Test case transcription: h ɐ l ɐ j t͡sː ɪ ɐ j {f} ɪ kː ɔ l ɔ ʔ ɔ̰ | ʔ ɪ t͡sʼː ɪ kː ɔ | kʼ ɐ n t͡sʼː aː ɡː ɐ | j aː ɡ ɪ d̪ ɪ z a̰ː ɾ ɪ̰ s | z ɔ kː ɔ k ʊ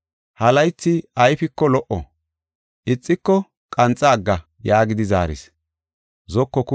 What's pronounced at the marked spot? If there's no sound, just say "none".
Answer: f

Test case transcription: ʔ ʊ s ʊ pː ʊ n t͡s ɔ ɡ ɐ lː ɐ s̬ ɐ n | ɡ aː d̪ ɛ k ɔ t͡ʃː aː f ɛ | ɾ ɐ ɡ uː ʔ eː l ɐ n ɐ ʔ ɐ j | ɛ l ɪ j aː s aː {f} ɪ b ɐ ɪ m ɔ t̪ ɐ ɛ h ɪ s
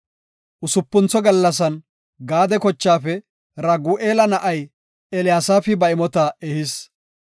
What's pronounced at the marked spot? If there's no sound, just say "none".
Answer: f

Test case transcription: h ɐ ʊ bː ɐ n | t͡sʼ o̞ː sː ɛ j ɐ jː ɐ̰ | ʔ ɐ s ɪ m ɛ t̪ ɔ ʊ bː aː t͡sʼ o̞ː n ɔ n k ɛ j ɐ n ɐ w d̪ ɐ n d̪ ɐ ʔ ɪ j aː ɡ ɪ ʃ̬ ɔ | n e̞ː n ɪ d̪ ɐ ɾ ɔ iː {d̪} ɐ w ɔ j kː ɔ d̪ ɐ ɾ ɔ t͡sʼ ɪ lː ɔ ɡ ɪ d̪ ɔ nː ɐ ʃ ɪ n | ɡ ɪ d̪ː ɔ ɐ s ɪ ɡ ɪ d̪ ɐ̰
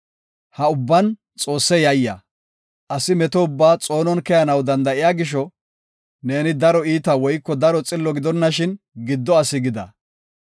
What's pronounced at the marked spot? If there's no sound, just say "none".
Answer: t̪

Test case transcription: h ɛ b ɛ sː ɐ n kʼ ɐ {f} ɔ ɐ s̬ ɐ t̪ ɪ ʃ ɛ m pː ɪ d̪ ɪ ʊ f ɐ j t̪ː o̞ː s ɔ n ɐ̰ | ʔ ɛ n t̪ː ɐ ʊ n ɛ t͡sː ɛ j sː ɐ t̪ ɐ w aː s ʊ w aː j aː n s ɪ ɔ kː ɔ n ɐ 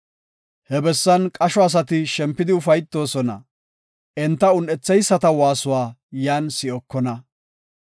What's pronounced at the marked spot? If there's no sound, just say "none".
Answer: ʃ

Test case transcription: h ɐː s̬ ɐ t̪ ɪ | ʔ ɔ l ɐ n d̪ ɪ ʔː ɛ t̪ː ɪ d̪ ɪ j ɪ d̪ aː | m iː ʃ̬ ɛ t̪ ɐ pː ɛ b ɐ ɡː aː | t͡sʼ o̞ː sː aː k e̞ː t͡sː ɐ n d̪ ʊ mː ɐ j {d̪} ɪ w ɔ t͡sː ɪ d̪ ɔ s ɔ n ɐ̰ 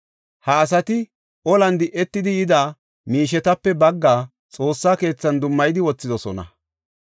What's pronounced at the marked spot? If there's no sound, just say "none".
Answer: d̪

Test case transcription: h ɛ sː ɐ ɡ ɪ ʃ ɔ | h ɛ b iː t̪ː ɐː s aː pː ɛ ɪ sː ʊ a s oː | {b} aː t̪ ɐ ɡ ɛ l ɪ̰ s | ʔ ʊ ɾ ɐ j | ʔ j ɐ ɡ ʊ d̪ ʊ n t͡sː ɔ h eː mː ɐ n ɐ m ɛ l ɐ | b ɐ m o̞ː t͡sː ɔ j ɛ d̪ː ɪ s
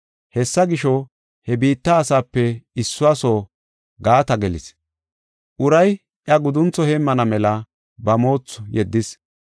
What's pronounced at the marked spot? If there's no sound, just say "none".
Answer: ɡ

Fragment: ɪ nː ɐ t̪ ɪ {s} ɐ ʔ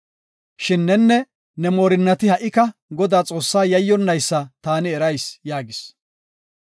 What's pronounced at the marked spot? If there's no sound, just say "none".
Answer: h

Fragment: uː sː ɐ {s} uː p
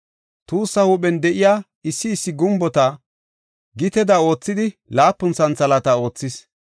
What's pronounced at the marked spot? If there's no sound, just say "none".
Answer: h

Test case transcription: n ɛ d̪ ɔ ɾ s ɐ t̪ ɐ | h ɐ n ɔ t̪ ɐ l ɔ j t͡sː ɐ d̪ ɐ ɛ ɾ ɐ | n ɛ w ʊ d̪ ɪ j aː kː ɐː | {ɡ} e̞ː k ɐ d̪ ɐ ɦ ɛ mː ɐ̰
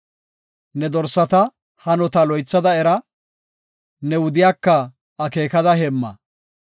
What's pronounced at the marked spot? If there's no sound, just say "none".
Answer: k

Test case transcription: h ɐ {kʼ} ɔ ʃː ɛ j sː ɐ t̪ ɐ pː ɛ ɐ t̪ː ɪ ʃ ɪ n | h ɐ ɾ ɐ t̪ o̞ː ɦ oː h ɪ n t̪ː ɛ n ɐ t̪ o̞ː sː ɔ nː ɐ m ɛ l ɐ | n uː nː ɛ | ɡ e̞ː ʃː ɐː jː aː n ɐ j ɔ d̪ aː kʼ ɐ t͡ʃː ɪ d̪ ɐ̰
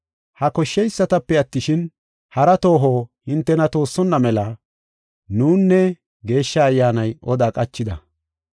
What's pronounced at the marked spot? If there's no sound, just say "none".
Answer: k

